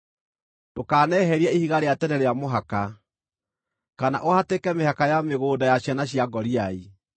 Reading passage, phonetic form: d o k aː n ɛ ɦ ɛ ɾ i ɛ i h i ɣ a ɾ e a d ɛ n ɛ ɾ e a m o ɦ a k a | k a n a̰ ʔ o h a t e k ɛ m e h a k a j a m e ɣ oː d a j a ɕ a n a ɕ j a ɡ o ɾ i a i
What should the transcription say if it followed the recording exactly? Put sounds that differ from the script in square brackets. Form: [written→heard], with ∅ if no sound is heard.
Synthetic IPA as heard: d o k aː n ɛ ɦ ɛ ɾ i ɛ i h i ɣ a ɾ e a [d→t] ɛ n ɛ ɾ e a m o ɦ a k a | k a n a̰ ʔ o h a t e k ɛ m e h a k a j a m e ɣ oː d a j a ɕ a n a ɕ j a ɡ [o→ɔ] ɾ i a i